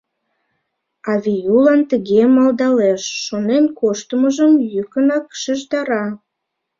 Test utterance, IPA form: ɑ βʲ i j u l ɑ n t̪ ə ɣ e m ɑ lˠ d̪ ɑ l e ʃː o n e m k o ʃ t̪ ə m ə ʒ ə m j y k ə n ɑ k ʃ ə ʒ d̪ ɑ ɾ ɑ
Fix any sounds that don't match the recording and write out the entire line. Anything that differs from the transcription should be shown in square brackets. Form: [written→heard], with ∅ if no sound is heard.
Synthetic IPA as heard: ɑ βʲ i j u l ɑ n t̪ ə ɣ e m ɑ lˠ d̪ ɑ l e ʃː o n e [m→n] k o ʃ t̪ ə m ə ʒ ə m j y k ə n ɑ k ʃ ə ʒ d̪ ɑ ɾ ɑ